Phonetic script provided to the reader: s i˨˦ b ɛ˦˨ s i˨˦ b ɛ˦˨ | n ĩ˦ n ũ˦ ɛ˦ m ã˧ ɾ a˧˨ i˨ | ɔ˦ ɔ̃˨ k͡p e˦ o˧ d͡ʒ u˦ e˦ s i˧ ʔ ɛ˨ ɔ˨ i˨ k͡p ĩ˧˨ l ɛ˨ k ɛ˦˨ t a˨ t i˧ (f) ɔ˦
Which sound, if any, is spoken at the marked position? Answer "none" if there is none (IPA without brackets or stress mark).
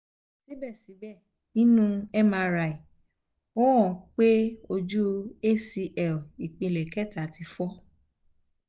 f